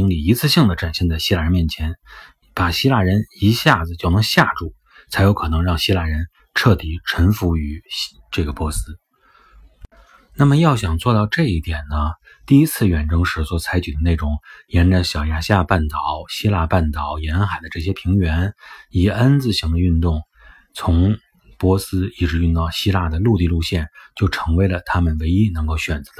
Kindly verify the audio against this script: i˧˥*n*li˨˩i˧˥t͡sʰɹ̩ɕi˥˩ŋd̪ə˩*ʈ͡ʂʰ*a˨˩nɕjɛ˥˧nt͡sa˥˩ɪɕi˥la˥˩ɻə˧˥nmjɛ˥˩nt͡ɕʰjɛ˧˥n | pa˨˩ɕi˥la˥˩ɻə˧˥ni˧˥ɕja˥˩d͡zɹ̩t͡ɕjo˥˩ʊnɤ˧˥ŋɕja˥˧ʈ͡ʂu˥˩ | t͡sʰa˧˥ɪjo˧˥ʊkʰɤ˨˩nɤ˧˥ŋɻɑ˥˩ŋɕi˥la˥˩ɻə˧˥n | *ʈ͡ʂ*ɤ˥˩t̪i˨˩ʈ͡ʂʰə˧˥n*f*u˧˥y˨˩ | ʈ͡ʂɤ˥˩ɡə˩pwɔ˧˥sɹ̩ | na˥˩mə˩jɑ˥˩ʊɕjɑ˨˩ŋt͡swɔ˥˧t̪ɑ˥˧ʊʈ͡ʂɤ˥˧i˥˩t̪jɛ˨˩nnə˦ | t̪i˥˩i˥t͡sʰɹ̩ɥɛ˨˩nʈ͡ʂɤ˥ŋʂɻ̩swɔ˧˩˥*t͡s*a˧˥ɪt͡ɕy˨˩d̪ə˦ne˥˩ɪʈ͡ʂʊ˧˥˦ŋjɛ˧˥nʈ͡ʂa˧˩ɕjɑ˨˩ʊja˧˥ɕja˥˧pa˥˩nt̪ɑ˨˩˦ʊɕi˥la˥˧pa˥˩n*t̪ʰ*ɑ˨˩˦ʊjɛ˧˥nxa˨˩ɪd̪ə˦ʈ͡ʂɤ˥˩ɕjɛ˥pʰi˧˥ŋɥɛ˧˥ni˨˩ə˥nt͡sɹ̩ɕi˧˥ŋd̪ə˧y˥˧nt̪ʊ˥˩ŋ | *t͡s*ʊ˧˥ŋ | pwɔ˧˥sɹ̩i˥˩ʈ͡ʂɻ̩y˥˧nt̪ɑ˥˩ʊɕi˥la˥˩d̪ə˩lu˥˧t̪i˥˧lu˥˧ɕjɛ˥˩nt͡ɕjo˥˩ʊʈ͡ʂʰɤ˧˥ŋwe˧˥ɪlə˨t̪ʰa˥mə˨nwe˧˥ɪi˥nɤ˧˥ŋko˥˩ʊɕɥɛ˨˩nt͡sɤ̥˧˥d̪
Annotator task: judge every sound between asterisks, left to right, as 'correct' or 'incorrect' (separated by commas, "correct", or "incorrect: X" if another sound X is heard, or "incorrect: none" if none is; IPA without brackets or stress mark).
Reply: incorrect: ŋ, incorrect: ʈ͡ʂ, incorrect: ʈ͡ʂʰ, correct, incorrect: t͡sʰ, incorrect: t̪, incorrect: t͡sʰ